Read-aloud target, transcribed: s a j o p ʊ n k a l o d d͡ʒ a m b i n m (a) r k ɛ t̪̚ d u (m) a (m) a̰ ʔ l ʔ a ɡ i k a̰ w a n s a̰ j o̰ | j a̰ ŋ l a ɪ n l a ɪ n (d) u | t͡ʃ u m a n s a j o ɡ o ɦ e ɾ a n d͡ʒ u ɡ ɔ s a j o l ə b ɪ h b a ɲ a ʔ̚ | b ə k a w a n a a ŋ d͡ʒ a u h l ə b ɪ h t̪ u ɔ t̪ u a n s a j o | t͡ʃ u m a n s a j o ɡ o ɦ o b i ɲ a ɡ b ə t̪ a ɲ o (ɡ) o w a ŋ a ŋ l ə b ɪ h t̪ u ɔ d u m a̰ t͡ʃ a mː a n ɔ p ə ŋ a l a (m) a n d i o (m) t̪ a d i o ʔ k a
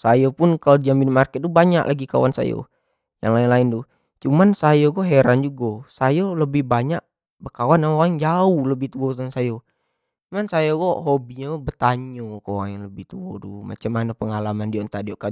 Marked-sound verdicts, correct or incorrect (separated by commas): correct, incorrect, incorrect, correct, incorrect, correct, incorrect